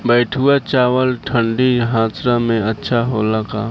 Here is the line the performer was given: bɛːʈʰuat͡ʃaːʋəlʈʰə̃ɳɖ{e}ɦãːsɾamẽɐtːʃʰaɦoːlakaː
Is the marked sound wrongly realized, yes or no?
yes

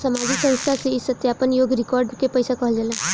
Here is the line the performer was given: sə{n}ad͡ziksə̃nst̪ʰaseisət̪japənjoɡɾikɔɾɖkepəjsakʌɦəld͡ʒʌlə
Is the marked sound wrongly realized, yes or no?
yes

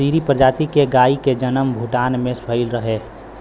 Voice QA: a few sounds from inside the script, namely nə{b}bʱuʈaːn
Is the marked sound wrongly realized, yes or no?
yes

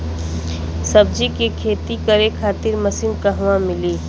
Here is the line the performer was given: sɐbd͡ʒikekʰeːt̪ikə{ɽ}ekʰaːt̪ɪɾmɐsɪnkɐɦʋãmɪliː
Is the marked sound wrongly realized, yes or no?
yes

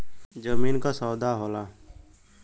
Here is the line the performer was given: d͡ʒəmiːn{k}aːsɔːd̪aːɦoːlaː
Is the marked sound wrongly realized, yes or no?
no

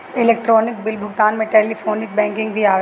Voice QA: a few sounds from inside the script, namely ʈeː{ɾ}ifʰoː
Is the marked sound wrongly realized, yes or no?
yes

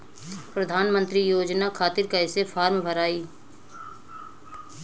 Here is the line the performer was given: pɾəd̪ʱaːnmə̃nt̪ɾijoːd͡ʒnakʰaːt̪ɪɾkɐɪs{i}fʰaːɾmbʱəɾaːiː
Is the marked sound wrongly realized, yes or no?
yes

